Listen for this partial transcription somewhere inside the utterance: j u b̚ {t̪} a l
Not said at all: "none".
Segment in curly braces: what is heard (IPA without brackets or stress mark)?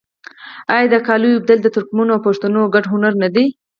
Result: d̪